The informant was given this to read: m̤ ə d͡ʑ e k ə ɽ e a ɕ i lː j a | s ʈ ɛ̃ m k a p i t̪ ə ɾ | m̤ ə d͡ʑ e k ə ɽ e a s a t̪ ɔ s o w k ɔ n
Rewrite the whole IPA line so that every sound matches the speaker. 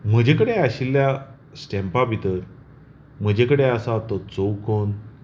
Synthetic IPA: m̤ ə d͡ʑ e k ə ɽ e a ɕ i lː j a | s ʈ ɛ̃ m p a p i t̪ ə ɾ | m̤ ə d͡ʑ e k ə ɽ e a s a t̪ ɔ t͡s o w k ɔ n